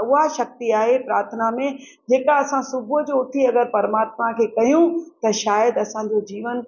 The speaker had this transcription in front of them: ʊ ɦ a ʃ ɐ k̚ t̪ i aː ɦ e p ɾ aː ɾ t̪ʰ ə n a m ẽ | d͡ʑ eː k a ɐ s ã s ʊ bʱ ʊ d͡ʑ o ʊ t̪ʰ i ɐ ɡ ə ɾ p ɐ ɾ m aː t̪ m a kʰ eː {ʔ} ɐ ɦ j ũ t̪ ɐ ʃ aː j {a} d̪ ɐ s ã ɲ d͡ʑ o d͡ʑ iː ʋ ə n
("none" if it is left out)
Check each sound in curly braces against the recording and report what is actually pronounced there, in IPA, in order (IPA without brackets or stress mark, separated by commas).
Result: k, ə